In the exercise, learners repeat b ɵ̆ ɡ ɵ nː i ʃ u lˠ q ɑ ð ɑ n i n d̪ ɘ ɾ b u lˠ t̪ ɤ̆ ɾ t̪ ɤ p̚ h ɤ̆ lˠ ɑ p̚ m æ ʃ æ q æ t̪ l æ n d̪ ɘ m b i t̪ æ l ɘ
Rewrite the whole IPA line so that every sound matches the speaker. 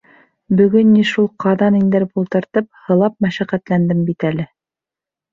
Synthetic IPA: b ɵ̆ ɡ ɵ nː i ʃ u lˠ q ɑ ð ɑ n i n d̪ ɘ ɾ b u lˠ t̪ ɤ̆ ɾ t̪ ɤ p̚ h ɤ̆ lˠ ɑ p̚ m æ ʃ æ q æ t̪ l æ n d̪ ɘ m b i t̪ æ l ɘ